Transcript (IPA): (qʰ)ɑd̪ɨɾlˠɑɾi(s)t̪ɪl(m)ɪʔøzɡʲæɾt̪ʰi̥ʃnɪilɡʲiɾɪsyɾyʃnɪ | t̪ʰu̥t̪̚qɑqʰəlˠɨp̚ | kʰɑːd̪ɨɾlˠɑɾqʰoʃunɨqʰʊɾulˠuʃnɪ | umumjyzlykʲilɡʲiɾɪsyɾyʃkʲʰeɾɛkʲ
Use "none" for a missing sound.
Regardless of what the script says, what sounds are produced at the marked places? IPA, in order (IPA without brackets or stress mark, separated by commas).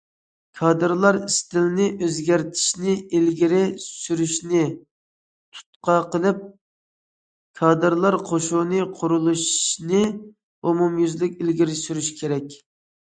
kʰ, s, n